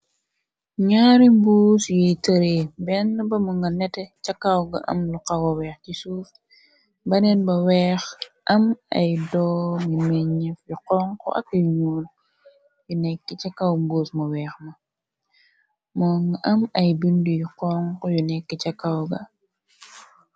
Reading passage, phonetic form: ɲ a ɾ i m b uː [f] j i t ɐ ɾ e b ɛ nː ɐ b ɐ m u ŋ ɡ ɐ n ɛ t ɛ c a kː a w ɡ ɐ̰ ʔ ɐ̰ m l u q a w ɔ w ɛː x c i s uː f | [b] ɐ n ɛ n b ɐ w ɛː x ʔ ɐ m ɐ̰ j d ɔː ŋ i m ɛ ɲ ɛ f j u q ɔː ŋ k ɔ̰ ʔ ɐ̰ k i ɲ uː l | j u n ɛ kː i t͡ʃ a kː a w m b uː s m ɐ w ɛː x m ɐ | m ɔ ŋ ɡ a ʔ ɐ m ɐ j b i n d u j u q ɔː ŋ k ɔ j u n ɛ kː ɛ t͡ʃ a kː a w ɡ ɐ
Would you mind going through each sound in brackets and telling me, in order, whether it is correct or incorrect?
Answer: incorrect: s, correct

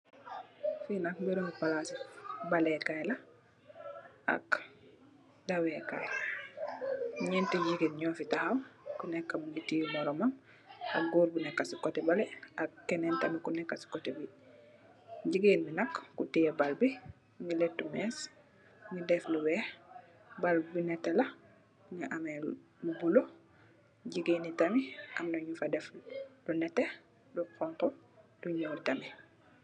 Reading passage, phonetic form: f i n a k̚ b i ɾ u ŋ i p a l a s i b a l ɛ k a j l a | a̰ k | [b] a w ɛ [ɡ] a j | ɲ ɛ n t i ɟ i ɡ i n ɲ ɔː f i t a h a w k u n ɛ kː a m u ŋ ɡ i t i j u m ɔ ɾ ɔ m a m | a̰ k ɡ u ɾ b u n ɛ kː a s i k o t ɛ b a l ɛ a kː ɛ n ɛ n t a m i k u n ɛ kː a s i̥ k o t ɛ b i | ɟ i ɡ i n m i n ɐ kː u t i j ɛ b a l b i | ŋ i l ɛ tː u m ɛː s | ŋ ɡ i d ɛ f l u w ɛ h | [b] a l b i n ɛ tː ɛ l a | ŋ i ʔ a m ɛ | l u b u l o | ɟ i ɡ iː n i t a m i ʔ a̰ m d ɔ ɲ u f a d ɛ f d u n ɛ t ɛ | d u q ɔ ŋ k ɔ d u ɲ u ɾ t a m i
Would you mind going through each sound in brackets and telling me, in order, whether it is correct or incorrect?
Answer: incorrect: d, incorrect: k, correct

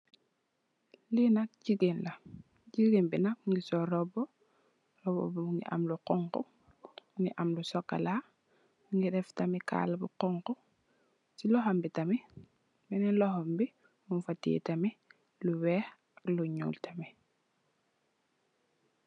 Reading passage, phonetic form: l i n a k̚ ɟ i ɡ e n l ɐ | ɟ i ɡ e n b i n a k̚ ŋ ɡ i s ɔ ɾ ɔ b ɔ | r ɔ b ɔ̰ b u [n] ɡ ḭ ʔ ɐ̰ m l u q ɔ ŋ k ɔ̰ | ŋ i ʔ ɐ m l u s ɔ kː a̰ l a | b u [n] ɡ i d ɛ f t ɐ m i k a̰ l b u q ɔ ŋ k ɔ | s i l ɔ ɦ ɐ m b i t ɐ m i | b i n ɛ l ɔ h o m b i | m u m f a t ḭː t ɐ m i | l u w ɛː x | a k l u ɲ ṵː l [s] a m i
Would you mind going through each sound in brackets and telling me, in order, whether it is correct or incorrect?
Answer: incorrect: ŋ, incorrect: ŋ, incorrect: t

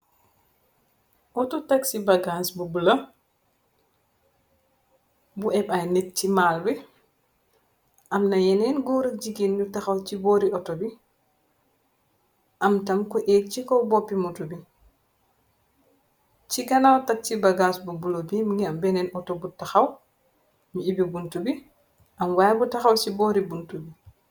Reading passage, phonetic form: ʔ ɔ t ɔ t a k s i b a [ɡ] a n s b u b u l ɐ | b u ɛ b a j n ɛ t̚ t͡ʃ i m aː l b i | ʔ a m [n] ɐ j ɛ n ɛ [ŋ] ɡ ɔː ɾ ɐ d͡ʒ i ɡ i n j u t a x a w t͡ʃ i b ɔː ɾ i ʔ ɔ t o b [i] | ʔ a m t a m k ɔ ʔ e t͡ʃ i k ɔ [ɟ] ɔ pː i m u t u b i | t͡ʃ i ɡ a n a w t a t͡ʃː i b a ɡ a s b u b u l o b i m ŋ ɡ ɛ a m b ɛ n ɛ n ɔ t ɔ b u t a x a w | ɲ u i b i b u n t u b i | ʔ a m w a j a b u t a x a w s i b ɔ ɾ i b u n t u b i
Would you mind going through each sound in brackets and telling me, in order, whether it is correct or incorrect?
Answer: correct, correct, incorrect: n, correct, incorrect: b

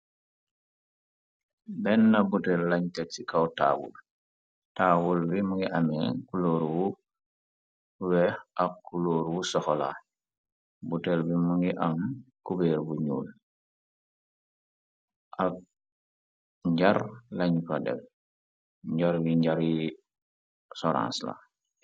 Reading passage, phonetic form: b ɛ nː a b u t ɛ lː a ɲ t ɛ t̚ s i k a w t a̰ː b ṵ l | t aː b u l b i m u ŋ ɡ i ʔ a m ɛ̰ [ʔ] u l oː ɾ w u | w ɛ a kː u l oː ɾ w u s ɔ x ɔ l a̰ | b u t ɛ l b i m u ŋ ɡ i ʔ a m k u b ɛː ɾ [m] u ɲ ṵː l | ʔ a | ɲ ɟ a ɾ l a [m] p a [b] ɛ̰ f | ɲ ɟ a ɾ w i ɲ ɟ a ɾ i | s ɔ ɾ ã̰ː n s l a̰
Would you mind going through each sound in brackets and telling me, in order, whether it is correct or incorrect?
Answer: incorrect: k, incorrect: b, incorrect: ɲ, incorrect: d

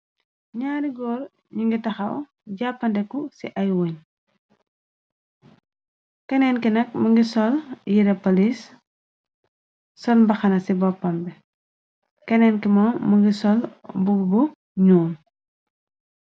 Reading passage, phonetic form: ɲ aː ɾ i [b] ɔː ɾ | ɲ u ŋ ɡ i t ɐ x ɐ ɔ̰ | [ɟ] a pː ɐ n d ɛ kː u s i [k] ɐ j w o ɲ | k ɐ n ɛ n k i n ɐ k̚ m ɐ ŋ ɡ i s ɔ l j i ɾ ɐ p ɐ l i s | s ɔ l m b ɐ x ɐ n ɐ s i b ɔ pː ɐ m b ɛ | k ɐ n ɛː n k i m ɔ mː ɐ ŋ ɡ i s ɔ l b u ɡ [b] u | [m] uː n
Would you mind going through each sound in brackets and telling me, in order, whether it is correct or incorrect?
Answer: incorrect: ɡ, correct, incorrect: ʔ, correct, incorrect: ɲ

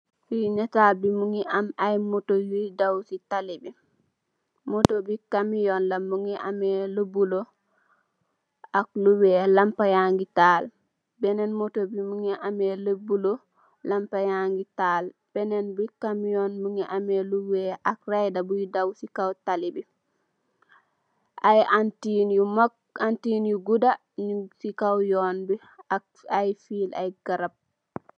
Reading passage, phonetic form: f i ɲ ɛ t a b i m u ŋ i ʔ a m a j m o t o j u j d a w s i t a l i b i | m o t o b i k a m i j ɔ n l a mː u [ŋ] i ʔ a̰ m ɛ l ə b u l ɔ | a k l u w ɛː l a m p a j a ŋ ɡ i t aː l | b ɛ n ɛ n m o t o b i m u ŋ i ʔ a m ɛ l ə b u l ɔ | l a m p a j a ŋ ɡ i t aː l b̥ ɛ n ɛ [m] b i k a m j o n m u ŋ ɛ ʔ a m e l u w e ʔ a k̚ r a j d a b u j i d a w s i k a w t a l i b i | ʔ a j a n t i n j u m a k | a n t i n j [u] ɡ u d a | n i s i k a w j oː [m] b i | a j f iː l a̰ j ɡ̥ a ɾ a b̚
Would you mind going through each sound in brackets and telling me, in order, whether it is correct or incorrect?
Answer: correct, incorrect: n, correct, incorrect: n

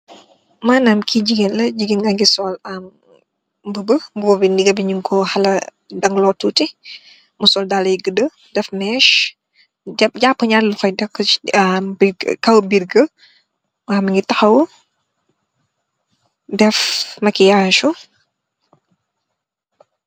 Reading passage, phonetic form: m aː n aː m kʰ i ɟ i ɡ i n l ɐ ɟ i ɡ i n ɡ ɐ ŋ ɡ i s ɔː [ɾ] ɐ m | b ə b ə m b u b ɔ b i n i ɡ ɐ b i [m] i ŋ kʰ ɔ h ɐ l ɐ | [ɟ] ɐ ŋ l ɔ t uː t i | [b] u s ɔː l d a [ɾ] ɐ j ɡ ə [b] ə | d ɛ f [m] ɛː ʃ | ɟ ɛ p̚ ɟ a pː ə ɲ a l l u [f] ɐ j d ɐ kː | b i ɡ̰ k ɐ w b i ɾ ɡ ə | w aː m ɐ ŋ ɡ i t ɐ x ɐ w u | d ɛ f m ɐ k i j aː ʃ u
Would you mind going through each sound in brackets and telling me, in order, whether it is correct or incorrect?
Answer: incorrect: l, incorrect: ɲ, incorrect: d, incorrect: m, incorrect: l, incorrect: d, correct, correct

